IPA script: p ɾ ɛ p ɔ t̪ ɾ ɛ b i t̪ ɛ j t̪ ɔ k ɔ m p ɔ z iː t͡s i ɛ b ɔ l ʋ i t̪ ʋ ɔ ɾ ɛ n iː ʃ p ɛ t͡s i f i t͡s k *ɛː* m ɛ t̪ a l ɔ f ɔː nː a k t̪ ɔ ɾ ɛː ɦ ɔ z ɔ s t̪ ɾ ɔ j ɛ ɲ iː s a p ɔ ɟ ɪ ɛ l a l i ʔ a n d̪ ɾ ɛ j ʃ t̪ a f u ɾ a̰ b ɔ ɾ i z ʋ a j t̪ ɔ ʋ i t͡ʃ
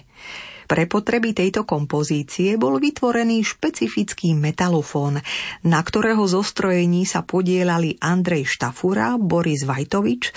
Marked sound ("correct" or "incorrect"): incorrect